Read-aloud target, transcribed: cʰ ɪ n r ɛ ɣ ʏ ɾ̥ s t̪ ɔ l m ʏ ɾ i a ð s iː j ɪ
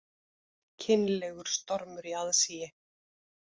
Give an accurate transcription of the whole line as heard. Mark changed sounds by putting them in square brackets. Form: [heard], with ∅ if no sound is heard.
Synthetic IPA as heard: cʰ ɪ n [l] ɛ ɣ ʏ ɾ̥ s t̪ ɔ [ɾ] m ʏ ɾ i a ð s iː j ɪ